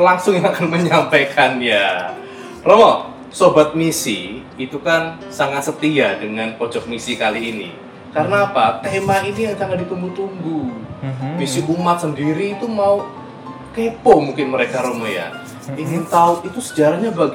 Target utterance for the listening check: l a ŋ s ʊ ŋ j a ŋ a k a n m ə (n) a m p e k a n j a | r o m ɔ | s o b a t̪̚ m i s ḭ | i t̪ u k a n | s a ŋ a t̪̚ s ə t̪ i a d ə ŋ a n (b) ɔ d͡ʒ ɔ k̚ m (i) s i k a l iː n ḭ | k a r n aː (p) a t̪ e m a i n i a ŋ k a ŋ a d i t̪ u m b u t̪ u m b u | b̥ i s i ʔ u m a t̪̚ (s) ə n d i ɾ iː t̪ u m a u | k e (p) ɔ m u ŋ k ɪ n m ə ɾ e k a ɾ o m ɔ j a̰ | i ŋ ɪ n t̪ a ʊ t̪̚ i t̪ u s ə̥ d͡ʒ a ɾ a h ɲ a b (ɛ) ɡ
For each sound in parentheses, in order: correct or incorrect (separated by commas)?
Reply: incorrect, incorrect, correct, correct, correct, correct, incorrect